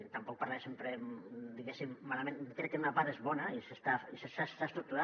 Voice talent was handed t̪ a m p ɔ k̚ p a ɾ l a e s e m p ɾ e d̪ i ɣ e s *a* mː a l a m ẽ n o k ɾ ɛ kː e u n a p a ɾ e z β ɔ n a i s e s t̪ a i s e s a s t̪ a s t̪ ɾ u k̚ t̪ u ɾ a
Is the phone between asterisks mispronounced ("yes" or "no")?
yes